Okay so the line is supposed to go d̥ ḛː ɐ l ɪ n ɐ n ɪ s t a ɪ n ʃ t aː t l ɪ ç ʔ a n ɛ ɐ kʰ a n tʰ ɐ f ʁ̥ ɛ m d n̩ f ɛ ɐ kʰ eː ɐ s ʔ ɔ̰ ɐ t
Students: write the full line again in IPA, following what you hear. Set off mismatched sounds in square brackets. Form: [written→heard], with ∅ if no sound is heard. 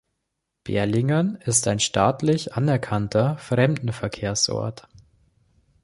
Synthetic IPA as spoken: [d̥→b̥] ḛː ɐ l ɪ [n→ŋ] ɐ n ɪ s t a ɪ n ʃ t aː t l ɪ ç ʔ a n ɛ ɐ kʰ a n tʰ ɐ f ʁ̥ ɛ m d n̩ f ɛ ɐ kʰ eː ɐ s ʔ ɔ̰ ɐ t